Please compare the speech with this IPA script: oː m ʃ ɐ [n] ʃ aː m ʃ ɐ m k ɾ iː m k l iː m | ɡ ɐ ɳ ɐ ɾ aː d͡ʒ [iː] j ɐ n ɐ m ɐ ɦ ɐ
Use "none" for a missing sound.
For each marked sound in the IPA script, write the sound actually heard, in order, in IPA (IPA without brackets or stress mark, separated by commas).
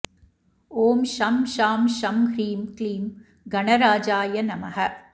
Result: m, aː